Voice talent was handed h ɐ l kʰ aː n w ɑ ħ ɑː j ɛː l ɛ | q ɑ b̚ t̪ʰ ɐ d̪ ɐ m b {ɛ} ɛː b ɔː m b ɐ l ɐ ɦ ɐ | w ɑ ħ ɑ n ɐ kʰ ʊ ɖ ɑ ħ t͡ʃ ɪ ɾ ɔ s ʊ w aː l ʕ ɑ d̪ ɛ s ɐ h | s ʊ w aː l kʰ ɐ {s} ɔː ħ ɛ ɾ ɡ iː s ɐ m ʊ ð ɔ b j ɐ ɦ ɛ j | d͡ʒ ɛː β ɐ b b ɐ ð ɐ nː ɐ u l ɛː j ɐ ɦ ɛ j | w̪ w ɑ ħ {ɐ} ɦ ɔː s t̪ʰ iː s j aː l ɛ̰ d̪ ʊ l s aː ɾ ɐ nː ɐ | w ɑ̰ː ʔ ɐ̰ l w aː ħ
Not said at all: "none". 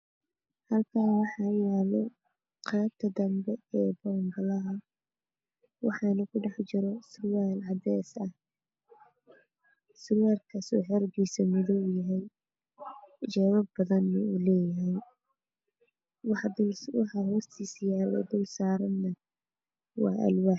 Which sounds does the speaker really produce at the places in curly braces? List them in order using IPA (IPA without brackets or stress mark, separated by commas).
ɛ, s, ɑ